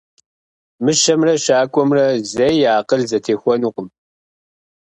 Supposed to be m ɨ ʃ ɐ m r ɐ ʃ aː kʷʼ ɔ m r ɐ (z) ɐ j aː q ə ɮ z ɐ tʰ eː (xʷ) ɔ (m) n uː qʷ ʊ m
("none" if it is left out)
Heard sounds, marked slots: z, xʷ, none

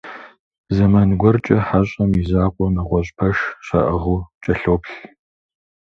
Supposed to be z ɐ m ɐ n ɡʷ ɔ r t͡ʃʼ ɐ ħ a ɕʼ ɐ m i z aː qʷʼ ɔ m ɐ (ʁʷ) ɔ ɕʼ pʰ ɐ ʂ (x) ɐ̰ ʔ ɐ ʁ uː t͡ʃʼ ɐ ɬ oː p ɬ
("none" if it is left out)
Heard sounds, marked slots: ʁʷ, ɕ

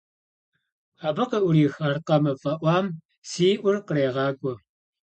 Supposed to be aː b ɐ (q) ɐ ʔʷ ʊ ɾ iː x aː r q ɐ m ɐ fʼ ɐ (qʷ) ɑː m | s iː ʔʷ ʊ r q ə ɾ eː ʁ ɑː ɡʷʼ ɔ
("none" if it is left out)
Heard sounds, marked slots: q, ʔʷ

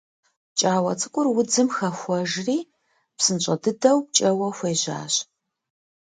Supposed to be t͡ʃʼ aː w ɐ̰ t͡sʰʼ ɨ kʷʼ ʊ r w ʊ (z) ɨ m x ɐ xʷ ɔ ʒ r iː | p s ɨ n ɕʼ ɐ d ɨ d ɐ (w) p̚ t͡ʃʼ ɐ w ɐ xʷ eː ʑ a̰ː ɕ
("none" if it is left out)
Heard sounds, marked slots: d͡z, w

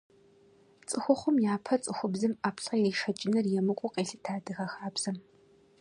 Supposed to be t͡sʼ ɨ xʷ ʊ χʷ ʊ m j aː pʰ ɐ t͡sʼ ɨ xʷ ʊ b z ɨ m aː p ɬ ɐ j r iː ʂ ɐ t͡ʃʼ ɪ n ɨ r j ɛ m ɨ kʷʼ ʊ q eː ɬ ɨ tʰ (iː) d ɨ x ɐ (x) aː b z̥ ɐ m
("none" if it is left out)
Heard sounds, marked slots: aː, x

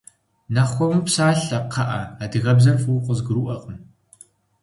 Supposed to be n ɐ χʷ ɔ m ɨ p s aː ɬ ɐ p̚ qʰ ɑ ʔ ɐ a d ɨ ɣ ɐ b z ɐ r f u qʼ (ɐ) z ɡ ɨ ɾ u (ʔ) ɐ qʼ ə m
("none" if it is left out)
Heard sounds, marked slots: ə, ʔ

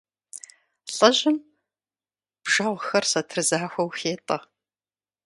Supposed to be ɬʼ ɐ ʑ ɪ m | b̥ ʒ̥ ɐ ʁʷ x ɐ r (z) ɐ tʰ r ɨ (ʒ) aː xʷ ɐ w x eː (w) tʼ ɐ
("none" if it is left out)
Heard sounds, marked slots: s, z, none

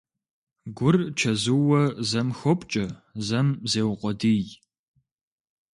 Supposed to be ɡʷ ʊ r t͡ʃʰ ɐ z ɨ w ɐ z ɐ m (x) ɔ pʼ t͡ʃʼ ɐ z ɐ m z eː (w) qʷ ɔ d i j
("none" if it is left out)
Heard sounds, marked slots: x, w

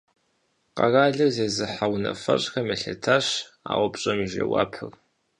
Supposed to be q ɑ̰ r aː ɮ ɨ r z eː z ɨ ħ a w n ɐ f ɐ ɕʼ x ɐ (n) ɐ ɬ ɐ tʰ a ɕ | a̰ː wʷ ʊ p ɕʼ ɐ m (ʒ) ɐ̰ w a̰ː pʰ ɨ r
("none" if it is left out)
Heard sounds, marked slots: m, ʒ

